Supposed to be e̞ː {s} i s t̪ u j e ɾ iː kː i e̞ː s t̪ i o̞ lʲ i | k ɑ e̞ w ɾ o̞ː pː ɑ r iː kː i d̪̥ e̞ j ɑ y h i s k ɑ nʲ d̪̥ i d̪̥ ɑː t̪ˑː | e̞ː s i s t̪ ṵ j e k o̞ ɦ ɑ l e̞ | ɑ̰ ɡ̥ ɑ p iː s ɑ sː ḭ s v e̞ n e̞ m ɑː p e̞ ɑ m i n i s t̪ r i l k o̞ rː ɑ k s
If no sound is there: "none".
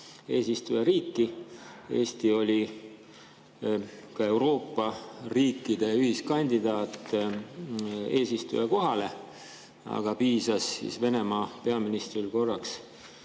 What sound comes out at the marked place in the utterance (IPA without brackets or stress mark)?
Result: s